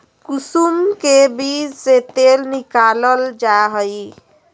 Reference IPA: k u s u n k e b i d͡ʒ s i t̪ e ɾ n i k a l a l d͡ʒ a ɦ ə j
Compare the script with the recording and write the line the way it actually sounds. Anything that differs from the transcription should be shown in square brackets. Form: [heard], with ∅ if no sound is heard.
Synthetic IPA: k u s u [m] k e b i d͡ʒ s [e] t̪ e [l] n i k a l [ə] l d͡ʒ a ɦ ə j